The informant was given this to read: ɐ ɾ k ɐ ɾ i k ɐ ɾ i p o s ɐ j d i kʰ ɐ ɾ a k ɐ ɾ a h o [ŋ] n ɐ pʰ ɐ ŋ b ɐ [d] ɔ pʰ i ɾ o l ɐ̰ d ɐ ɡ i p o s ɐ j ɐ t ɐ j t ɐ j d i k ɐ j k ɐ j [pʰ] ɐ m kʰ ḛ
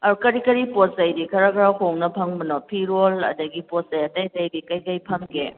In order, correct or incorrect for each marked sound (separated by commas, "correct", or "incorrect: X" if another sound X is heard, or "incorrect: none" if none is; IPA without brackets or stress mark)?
correct, incorrect: n, correct